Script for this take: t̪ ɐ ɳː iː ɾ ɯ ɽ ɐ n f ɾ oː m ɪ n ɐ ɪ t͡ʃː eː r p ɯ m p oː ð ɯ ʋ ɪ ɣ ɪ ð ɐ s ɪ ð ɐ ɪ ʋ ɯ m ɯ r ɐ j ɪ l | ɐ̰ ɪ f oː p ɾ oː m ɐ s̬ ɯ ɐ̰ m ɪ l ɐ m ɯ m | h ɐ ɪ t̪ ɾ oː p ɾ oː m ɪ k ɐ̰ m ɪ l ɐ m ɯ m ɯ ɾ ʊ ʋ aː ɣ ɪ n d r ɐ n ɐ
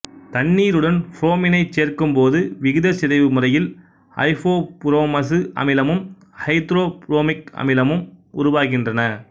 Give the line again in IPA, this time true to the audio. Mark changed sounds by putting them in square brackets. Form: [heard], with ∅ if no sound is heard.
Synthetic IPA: t̪ ɐ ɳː iː ɾ ɯ ɽ ɐ n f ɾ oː m ɪ n ɐ ɪ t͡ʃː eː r [k] ɯ m p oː ð ɯ ʋ ɪ ɣ ɪ ð ɐ s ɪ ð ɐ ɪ ʋ ɯ m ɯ r ɐ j ɪ l | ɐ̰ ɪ f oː p ɾ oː m ɐ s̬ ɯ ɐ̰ m ɪ l ɐ m ɯ m | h ɐ ɪ t̪ ɾ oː p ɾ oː m ɪ k ɐ̰ m ɪ l ɐ m ɯ m [ʊ] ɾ ʊ ʋ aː ɣ ɪ n d r ɐ n ɐ

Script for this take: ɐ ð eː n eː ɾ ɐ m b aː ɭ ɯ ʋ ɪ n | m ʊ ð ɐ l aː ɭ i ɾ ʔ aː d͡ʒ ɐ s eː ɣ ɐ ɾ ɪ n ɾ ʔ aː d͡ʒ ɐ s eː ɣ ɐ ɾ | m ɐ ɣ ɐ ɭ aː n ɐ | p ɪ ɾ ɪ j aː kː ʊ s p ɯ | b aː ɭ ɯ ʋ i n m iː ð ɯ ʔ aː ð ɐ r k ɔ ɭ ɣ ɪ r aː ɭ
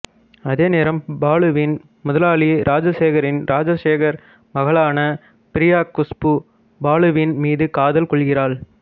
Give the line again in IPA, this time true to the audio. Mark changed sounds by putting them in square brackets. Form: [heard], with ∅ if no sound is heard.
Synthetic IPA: ɐ ð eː n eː ɾ ɐ m b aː ɭ ɯ ʋ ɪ n | m ʊ ð ɐ l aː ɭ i ɾ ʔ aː d͡ʒ ɐ s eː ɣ ɐ ɾ ɪ n ɾ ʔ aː d͡ʒ ɐ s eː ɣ ɐ ɾ | m ɐ ɣ ɐ ɭ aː n ɐ | p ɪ ɾ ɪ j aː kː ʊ s p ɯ | b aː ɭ ɯ ʋ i n m iː ð ɯ [k] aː ð ɐ [l] k ɔ ɭ ɣ ɪ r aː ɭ

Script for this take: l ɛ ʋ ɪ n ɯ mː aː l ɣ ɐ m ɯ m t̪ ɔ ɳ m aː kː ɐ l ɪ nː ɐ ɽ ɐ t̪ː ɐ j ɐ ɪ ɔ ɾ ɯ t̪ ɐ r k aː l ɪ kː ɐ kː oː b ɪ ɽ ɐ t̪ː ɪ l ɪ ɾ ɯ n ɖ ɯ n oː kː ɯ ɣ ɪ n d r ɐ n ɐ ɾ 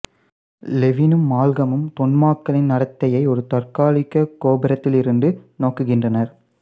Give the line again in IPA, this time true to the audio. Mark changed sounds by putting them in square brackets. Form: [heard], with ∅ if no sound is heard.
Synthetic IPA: l ɛ ʋ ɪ n ɯ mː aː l ɣ ɐ m ɯ m t̪ ɔ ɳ m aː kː ɐ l ɪ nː ɐ ɽ ɐ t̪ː ɐ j ɐ ɪ ɔ ɾ ɯ t̪ ɐ r k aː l ɪ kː ɐ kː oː b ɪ [ɾ] ɐ t̪ː ɪ l ɪ ɾ ɯ n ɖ ɯ n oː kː ɯ ɣ ɪ n d r ɐ n ɐ ɾ

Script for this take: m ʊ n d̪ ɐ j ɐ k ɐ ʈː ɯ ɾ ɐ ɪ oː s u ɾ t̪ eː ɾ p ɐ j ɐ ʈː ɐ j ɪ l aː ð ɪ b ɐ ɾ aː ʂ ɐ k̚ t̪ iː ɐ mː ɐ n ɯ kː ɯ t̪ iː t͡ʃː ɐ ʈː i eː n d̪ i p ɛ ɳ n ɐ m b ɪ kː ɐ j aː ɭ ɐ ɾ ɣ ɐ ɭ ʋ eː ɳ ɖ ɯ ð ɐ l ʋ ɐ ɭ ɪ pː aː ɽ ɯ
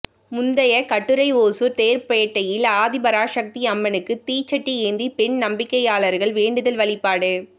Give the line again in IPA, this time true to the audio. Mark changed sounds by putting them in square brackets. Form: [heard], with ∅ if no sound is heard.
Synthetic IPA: m ʊ n d̪ ɐ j ɐ k ɐ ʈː ɯ ɾ ɐ ɪ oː s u ɾ t̪ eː ɾ p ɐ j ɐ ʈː ɐ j ɪ l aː ð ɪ b ɐ ɾ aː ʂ ɐ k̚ t̪ [i] ɐ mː ɐ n ɯ kː ɯ t̪ iː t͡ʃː ɐ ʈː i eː n d̪ i p ɛ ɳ n ɐ m b ɪ kː ɐ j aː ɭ ɐ ɾ ɣ ɐ ɭ ʋ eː ɳ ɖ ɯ ð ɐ l ʋ ɐ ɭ ɪ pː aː ɽ ɯ

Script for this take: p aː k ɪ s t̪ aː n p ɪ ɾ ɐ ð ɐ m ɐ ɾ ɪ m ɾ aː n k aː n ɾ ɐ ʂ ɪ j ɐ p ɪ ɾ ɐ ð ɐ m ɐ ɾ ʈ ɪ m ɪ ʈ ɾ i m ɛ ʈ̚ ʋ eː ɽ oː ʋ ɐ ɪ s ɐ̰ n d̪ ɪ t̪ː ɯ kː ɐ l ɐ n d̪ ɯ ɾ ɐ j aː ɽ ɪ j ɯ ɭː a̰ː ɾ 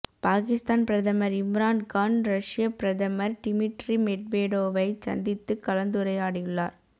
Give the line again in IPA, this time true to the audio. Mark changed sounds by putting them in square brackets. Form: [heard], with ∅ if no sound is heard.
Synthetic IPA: p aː k ɪ s t̪ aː n p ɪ ɾ ɐ ð ɐ m ɐ ɾ ɪ m ɾ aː n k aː n ɾ ɐ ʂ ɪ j ɐ p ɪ ɾ ɐ ð ɐ m ɐ ɾ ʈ ɪ m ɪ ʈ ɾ i m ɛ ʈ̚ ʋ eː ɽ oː ʋ ɐ ɪ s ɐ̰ n d̪ ɪ t̪ː ɯ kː ɐ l ɐ n d̪ ɯ ɾ ɐ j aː ɽ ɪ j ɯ ɭː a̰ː ɾ

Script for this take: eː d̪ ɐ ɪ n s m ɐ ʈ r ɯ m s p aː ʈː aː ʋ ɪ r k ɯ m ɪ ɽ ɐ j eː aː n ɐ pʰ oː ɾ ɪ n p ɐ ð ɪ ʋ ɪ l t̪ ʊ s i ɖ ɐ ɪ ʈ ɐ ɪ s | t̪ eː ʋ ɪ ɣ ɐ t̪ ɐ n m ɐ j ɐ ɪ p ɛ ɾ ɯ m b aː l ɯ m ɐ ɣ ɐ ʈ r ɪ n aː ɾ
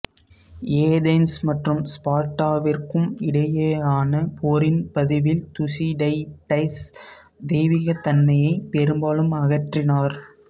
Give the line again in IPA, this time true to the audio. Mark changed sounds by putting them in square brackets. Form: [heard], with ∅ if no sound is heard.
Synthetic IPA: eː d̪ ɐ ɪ n s m ɐ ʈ r ɯ m s p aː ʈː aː ʋ ɪ r k ɯ m ɪ ɽ ɐ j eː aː n ɐ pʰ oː ɾ ɪ n p ɐ ð ɪ ʋ ɪ l t̪ ʊ s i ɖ ɐ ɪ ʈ ɐ ɪ s | [d̪] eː ʋ ɪ ɣ ɐ t̪ ɐ n m ɐ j ɐ ɪ p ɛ ɾ ɯ m b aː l ɯ m ɐ ɣ ɐ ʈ r ɪ n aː ɾ

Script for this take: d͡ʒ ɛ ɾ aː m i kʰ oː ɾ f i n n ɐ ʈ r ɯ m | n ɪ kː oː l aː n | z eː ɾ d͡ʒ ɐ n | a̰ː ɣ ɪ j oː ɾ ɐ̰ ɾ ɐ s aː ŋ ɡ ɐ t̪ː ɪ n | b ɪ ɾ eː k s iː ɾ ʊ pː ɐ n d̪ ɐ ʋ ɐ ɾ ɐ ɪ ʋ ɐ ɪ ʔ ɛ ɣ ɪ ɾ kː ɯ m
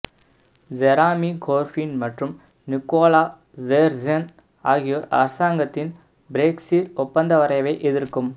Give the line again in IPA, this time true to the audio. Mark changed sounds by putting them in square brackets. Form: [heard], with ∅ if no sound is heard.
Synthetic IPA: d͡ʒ ɛ ɾ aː m i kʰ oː ɾ f i n [m] ɐ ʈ r ɯ m | n ɪ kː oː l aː [∅] | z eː ɾ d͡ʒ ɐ n | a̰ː ɣ ɪ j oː ɾ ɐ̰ ɾ ɐ s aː ŋ ɡ ɐ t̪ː ɪ n | b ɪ ɾ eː k s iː ɾ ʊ pː ɐ n d̪ ɐ ʋ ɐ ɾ ɐ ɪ ʋ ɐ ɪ ʔ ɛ [ð] ɪ ɾ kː ɯ m

